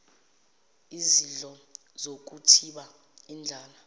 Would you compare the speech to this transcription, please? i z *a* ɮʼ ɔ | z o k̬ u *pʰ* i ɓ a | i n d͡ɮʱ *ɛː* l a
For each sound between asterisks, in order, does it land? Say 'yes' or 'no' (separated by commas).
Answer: no, no, no